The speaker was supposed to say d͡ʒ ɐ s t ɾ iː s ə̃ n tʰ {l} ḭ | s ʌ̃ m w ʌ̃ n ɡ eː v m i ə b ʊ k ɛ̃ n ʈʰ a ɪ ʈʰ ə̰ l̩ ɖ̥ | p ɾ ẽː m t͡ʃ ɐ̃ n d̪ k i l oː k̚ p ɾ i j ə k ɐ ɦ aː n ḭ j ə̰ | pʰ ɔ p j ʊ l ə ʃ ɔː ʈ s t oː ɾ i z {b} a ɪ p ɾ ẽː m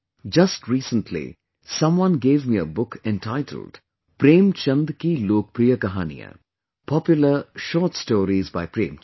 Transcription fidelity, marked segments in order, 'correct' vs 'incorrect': correct, correct

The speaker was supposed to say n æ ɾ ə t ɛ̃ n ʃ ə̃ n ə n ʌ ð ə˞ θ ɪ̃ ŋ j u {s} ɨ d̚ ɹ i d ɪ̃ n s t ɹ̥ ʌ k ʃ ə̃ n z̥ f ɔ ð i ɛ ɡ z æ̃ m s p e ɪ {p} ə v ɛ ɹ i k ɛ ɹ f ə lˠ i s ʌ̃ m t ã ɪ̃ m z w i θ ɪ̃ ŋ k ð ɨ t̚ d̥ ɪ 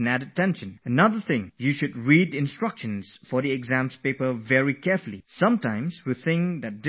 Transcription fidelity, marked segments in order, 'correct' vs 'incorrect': incorrect: ʃ, correct

